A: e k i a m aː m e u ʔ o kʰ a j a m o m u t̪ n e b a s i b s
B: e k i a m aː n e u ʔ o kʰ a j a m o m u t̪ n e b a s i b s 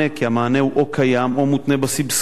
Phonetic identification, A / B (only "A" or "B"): B